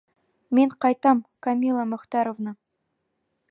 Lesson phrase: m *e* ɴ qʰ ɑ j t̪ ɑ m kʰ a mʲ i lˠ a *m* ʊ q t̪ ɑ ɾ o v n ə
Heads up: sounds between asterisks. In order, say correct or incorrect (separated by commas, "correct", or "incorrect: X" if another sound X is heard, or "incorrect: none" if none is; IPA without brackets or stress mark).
correct, correct